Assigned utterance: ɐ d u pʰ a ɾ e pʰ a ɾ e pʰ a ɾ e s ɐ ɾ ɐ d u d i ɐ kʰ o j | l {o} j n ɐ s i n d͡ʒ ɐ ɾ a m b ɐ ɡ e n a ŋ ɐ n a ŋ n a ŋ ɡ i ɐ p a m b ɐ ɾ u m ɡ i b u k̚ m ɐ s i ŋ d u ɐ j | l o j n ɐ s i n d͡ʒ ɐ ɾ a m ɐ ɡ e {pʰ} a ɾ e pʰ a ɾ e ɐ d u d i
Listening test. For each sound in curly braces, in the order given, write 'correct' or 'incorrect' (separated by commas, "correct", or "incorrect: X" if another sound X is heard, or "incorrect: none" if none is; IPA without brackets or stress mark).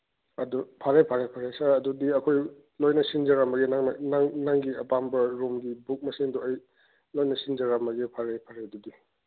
correct, correct